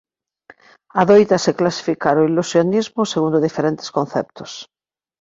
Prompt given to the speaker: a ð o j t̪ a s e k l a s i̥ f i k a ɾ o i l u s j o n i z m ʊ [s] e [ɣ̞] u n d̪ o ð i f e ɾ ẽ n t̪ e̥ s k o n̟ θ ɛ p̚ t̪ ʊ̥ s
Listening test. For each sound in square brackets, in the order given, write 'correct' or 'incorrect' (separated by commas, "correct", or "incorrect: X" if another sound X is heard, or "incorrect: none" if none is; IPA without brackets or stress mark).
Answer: correct, correct